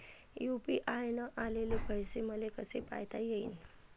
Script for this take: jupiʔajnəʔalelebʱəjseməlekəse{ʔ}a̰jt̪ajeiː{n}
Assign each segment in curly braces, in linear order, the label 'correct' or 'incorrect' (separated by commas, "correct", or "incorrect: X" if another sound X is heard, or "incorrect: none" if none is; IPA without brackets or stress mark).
incorrect: p, correct